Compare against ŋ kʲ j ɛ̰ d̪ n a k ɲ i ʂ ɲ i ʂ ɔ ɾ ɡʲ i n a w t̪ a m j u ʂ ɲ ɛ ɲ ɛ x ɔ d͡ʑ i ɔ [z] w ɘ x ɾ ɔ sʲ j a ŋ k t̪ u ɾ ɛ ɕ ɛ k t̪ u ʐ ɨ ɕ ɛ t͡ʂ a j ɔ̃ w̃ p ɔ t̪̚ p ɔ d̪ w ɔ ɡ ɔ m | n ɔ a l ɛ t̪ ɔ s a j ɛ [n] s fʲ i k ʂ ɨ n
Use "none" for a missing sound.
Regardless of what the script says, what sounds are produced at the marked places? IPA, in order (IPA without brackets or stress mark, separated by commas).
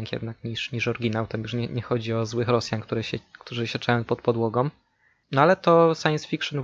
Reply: z, n